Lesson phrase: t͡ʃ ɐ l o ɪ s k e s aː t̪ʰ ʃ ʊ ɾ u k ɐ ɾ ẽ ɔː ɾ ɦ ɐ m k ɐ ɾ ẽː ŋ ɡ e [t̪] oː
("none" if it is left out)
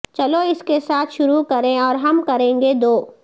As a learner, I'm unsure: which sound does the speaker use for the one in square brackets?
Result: d̪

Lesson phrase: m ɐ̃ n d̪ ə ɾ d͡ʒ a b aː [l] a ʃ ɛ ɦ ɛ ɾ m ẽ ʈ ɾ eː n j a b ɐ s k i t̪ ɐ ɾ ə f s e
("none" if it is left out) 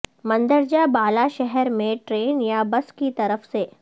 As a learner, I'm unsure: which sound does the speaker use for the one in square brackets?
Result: l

